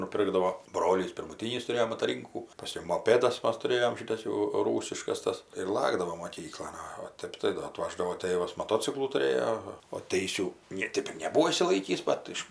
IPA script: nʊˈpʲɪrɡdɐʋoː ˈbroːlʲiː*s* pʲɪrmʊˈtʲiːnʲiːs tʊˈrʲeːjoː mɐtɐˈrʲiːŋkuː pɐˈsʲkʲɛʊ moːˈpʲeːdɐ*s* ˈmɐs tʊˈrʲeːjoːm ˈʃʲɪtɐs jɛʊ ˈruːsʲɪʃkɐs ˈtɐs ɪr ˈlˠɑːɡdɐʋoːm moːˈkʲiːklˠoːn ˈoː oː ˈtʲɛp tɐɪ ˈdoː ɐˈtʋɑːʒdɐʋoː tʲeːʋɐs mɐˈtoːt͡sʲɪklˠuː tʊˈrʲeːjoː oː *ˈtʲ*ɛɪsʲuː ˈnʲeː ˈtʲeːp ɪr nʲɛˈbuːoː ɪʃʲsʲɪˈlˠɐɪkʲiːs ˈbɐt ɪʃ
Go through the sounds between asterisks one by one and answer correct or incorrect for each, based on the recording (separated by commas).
correct, correct, correct